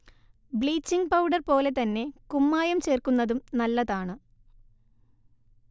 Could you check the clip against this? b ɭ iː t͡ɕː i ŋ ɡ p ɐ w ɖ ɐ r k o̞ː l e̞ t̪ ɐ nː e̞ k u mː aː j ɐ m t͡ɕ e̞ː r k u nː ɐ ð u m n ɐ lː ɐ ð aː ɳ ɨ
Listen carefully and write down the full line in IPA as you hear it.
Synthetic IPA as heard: b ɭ iː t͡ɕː i ŋ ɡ p ɐ w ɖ ɐ r p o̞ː l e̞ t̪ ɐ nː e̞ k u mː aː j ɐ m t͡ɕ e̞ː r k u nː ɐ ð u m n ɐ lː ɐ ð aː ɳ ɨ

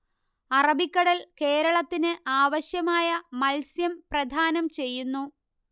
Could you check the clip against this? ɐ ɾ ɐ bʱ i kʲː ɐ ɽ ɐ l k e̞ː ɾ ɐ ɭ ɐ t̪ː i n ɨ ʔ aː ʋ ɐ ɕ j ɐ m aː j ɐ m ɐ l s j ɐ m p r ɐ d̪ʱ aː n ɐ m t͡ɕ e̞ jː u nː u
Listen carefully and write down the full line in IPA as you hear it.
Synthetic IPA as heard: ɐ r ɐ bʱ i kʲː ɐ ɽ ɐ l k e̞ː ɾ ɐ ɭ ɐ t̪ː i n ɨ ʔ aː ʋ ɐ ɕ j ɐ m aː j ɐ m ɐ l s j ɐ m p r ɐ d̪ʱ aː n ɐ m t͡ɕ e̞ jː u nː u

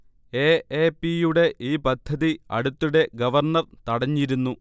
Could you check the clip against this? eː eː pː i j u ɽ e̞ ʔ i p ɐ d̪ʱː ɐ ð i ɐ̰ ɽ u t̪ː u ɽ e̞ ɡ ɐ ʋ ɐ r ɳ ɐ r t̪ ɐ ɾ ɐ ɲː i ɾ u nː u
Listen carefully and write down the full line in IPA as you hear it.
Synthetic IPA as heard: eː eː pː i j u ɽ e̞ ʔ iː p ɐ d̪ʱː ɐ ð i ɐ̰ ɽ u t̪ː u ɽ e̞ ɡ ɐ ʋ ɐ r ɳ ɐ r t̪ ɐ ɽ ɐ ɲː i ɾ u nː u

